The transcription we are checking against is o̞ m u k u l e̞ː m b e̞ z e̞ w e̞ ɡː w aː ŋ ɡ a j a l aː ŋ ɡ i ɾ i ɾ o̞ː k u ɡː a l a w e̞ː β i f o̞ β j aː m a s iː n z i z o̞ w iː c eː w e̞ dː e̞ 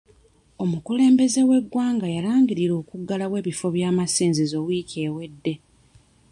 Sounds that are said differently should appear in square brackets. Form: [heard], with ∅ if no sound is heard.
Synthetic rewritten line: o̞ m u k u l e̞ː m b e̞ z e̞ w e̞ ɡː w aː ŋ ɡ a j a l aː ŋ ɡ i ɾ i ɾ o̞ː k u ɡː a l a w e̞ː β i f o̞ β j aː m a s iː n z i z o̞ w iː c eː w e̞ dː e̞

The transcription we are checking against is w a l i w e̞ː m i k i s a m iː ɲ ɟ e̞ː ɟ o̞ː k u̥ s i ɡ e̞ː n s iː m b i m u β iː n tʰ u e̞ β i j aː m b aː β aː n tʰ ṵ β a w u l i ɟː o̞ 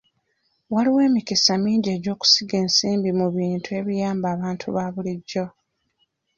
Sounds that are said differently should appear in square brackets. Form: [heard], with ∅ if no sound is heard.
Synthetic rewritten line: w a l i w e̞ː m i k i s a m iː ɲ ɟ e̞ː ɟ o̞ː k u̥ s i ɡ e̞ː n s iː m b i m u β iː n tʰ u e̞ β i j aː m b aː β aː n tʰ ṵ β a [β] u l i ɟː o̞

